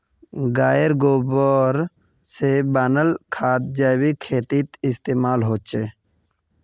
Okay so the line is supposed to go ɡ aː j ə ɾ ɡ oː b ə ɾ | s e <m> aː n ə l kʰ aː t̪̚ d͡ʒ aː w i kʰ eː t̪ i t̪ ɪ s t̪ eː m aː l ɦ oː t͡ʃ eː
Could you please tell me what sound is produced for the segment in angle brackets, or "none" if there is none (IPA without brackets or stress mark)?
b